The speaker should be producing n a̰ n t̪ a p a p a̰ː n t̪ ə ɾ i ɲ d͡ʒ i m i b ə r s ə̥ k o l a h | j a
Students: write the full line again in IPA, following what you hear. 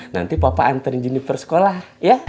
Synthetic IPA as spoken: n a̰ n t̪ i p a p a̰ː n t̪ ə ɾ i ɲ d͡ʒ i n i p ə r s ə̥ k o l a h | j a